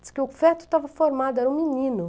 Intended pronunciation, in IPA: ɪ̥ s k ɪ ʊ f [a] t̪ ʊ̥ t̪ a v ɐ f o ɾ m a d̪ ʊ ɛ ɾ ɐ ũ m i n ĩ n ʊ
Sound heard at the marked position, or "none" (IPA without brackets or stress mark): ɛ